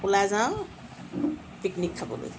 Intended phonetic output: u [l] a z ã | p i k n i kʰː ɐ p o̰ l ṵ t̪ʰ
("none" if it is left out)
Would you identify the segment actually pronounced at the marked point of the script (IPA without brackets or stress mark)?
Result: l